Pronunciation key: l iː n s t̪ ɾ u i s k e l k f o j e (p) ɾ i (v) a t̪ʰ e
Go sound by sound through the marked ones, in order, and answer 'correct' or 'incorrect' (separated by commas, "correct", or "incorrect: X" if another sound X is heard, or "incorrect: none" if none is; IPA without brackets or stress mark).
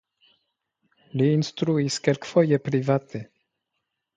correct, correct